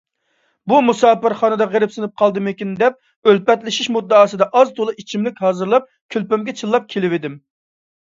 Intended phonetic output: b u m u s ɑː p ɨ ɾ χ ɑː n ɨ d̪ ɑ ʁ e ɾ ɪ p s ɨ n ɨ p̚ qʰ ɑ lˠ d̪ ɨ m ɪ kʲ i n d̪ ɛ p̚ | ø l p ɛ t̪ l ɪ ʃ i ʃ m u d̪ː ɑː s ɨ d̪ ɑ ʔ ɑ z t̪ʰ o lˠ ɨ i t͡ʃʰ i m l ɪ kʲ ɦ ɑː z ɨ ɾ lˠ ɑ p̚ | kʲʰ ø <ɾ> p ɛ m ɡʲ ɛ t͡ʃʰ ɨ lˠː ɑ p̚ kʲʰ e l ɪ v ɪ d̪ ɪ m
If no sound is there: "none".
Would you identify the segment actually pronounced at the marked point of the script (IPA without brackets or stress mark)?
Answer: l